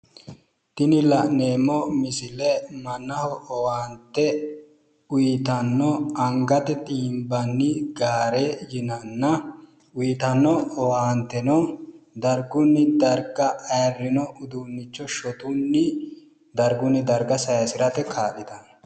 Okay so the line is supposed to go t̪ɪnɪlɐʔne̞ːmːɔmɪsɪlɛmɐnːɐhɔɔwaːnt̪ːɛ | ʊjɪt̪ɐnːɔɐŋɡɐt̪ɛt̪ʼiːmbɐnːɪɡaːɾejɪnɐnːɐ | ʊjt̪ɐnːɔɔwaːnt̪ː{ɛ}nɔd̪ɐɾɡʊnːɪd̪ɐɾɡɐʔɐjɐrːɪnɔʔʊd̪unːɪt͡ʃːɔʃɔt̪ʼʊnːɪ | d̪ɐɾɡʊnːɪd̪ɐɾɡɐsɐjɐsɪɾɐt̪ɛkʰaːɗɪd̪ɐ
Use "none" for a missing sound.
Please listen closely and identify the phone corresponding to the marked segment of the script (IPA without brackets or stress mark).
ɛ